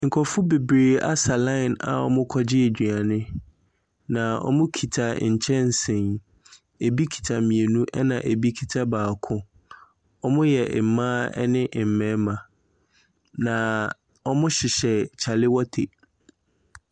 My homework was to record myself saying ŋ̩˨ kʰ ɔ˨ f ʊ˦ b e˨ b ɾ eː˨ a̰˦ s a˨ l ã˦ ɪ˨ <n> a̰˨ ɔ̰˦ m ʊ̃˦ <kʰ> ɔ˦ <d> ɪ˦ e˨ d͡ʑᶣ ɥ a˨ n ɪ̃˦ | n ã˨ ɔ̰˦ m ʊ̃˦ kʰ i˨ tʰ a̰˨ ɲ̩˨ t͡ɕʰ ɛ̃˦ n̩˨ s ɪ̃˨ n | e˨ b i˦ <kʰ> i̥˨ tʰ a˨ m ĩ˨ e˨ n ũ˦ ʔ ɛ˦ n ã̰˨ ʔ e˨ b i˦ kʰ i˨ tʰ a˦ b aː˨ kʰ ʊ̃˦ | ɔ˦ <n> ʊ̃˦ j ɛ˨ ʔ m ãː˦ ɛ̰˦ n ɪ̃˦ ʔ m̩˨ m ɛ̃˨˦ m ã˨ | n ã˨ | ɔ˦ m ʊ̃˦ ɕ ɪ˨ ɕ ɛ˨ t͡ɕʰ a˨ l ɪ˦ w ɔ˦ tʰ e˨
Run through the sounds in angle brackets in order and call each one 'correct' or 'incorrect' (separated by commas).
correct, correct, incorrect, correct, incorrect